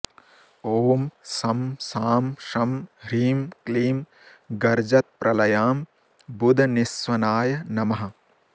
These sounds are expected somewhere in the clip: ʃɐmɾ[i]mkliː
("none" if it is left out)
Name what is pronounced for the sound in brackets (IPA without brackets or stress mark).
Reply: iː